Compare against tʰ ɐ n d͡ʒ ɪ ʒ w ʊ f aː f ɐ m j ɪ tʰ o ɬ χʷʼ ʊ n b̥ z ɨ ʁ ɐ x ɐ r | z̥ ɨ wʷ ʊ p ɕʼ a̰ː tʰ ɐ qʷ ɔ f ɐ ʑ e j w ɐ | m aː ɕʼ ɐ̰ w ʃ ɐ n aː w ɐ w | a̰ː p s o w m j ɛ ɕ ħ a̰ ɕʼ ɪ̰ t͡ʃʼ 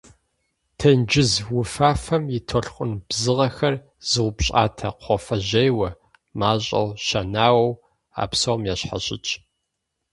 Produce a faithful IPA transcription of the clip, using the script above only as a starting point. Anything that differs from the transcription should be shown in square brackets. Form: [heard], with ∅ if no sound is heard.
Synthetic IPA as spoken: tʰ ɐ n d͡ʒ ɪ [z] w ʊ f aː f ɐ m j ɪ tʰ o ɬ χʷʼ ʊ n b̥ z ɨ ʁ ɐ x ɐ r | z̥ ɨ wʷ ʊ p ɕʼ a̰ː tʰ ɐ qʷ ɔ f ɐ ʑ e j w ɐ | m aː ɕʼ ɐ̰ w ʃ ɐ n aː w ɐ w | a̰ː p s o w m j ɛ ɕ ħ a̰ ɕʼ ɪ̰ t͡ʃʼ